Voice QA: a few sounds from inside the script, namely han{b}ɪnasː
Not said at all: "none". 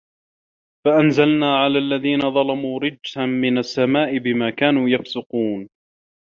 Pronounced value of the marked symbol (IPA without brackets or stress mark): m